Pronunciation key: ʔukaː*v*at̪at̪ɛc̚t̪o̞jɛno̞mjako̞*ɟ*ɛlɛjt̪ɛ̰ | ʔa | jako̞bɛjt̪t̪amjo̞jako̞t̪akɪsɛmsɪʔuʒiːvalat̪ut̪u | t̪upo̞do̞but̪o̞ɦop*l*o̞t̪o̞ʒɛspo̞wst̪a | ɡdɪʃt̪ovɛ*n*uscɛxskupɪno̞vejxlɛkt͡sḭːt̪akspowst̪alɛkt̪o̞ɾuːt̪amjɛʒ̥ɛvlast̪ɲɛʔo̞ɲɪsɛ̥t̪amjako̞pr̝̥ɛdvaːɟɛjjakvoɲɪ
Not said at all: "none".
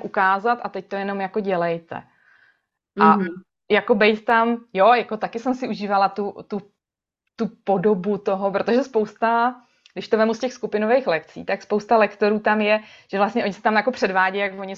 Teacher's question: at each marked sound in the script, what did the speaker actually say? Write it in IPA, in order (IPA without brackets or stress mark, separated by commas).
z, ɟ, ɾ, m